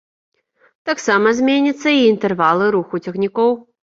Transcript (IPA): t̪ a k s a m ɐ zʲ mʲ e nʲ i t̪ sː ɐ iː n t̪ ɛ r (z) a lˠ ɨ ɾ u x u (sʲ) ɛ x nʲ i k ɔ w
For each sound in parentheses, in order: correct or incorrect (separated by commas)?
incorrect, incorrect